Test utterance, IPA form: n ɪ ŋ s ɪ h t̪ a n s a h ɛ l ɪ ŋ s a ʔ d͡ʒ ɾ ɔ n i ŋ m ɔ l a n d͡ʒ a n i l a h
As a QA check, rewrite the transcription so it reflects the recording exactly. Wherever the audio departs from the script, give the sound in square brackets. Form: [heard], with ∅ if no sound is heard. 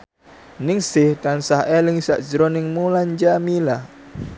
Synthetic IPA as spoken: n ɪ ŋ s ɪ h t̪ a n s a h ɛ l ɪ ŋ s a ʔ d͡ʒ ɾ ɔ n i ŋ m [u] l a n d͡ʒ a [m] i l a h